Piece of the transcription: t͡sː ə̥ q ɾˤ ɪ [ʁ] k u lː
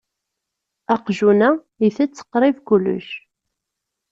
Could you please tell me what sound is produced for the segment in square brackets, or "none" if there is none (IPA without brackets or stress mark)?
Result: v